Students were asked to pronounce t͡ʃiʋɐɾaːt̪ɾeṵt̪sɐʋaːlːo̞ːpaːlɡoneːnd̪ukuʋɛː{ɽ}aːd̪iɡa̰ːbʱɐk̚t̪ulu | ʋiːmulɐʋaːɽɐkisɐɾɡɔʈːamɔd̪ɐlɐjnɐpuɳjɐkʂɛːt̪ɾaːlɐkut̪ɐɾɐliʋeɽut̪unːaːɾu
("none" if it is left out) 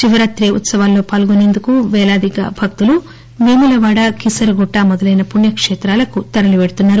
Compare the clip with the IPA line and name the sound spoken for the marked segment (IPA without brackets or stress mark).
l